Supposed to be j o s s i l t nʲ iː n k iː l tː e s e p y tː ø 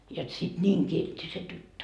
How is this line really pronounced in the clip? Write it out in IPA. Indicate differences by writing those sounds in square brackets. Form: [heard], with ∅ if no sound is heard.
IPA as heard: j o [t] s i [∅] t nʲ iː [ŋ] k [i] l tː [i] s e [t] y tː ø